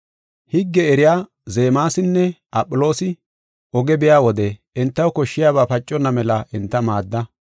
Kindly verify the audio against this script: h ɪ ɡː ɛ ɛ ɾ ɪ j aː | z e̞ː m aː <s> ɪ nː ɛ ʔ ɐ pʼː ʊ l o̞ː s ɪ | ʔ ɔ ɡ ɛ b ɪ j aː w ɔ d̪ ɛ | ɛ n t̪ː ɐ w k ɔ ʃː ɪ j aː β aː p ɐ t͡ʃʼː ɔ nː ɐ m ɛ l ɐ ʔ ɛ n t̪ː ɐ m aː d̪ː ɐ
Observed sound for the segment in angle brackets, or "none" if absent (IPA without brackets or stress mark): s